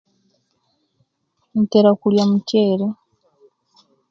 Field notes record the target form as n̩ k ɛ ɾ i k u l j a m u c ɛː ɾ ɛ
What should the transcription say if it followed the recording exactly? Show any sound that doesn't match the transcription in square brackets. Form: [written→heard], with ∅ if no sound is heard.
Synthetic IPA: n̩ [k→t] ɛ ɾ [i→a] k u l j a m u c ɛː ɾ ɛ